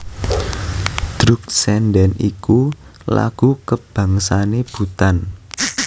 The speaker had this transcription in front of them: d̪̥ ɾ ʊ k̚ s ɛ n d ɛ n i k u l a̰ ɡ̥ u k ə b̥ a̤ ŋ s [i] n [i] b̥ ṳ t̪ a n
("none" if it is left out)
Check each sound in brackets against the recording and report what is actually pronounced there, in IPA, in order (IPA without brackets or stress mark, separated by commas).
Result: a, e